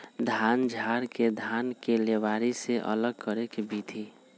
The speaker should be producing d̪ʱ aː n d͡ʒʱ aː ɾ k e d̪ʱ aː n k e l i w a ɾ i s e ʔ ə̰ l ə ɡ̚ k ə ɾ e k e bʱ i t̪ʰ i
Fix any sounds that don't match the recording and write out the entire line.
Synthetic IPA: d̪ʱ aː n d͡ʒʱ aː ɾ k e d̪ʱ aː n k e l e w a ɾ i s e ʔ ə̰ l ə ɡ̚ k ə ɾ e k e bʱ i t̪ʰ i

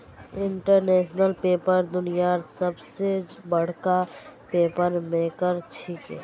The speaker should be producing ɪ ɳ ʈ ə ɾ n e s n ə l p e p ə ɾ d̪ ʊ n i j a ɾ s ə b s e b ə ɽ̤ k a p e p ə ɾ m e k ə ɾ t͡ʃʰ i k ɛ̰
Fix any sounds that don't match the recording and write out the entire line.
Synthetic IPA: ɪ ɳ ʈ ə ɾ n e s n ə l p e p ə ɾ d̪ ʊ n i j a ɾ s ə b s e b ə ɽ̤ k a p e p ə ɾ m e k ə ɾ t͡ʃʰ i k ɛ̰

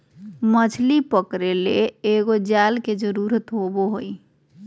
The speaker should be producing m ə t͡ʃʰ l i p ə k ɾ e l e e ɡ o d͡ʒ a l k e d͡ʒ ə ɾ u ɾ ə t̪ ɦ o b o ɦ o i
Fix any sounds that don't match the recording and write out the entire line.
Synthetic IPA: m ə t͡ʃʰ l i p ə k ɾ e l e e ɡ o d͡ʒ a l k e d͡ʒ ə ɾ u ɾ ə t̪ ɦ o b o ɦ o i

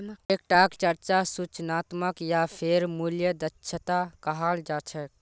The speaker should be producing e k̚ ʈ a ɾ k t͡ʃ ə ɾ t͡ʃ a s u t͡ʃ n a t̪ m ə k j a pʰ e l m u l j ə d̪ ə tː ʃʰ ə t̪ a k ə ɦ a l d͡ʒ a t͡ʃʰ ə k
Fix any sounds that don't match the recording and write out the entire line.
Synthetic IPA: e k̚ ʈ a k t͡ʃ ə ɾ t͡ʃ a s u t͡ʃ n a t̪ m ə k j a pʰ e ɾ m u l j ə d̪ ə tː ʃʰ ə t̪ a k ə ɦ a l d͡ʒ a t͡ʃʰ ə k

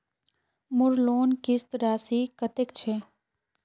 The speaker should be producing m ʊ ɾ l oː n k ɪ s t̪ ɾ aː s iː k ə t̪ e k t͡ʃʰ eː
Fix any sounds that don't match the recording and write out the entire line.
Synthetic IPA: m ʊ ɾ l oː n k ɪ s t̪ ɾ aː s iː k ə t̪ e k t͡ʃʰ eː

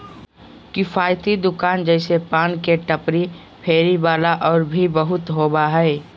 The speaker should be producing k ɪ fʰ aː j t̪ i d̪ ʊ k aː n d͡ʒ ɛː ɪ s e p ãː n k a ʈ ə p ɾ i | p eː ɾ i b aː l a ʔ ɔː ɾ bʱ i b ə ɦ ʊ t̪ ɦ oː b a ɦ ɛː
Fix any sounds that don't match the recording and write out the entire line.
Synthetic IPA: k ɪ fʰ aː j t̪ i d̪ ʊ k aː n d͡ʒ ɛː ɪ s e p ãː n k e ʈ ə p ɾ i | pʰ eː ɾ i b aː l a ʔ ɔː ɾ bʱ i b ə ɦ ʊ t̪ ɦ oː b a ɦ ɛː

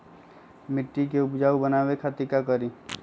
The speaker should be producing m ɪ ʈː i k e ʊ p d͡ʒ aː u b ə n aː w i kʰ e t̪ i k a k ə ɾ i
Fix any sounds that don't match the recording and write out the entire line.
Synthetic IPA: m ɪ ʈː i k e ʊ p d͡ʒ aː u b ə n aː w e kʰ a t̪ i k a k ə ɾ i

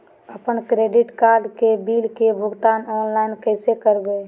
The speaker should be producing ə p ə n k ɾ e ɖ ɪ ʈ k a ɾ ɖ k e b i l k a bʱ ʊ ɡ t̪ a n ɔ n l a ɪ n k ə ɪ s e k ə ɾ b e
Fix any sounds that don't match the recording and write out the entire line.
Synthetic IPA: ə p ə n k ɾ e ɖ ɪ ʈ k a ɾ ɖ k e b i l k e bʱ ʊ ɡ t̪ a n ɔ n l a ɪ n k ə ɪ s e k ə ɾ b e

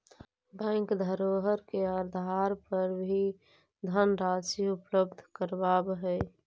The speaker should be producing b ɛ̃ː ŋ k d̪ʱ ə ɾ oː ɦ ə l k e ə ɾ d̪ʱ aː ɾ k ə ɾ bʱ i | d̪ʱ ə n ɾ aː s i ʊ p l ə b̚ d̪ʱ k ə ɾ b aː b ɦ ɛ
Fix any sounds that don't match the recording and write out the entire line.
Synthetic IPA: b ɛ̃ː ŋ k d̪ʱ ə ɾ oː ɦ ə ɾ k e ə ɾ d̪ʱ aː ɾ p ə ɾ bʱ i | d̪ʱ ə n ɾ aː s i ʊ p l ə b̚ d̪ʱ k ə ɾ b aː b ɦ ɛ

